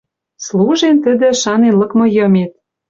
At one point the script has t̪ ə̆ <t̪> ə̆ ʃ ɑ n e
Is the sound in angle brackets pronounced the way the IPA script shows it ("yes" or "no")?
no